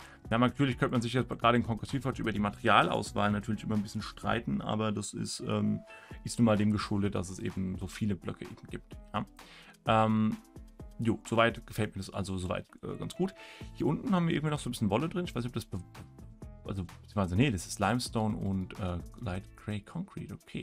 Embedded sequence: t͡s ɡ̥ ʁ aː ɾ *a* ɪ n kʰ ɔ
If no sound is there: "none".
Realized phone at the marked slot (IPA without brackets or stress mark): ə